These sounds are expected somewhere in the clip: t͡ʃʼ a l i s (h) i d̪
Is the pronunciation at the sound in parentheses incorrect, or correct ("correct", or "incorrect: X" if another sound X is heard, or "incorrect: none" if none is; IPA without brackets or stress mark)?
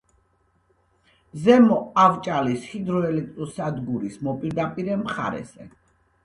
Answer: correct